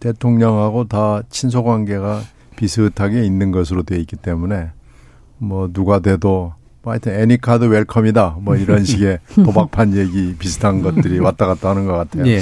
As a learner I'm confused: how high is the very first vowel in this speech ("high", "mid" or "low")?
mid